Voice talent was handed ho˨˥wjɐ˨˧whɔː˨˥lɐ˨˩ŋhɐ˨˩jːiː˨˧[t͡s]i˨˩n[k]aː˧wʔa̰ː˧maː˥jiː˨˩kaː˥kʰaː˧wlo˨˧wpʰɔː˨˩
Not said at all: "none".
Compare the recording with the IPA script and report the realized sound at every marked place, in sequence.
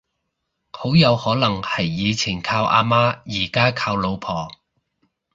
t͡sʰ, kʰ

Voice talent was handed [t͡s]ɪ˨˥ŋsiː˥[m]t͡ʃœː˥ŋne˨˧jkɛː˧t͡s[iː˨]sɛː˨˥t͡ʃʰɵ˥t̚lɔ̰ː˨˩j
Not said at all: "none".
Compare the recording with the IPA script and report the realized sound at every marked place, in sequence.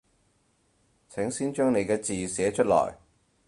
t͡sʰ, n, iː˨

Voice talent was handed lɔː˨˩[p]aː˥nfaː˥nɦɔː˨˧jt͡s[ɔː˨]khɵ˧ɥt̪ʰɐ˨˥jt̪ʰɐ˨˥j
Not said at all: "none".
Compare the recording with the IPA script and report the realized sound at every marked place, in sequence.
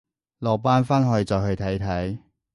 p, ɔː˨

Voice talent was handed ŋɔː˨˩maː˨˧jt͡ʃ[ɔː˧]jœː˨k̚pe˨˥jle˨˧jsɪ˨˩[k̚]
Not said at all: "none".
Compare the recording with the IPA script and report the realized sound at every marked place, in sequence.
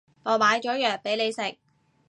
ɔː˨˥, k̚

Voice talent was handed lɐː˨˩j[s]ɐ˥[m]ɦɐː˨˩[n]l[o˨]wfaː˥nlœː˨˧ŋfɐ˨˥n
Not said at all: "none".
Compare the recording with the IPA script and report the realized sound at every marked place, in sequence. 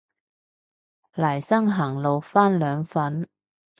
s, ŋ, ŋ, o˨

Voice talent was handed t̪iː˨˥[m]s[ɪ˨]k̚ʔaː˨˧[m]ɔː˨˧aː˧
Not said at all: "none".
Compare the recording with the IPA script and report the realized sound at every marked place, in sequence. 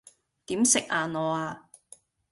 m, ɪ˨, n

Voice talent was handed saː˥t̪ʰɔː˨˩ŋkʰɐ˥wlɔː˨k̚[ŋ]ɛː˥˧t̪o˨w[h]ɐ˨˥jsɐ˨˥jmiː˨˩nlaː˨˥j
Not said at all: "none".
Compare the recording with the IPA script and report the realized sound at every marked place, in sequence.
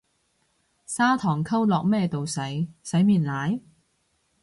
m, s

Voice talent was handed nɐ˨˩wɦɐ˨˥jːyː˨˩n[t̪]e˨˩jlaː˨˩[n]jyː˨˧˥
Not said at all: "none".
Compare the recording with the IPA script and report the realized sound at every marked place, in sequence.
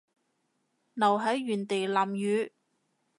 t̪, m

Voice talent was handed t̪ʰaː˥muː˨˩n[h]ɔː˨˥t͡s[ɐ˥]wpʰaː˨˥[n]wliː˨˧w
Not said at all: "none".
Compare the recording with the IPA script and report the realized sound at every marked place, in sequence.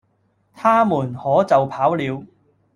h, ɐ˨, none

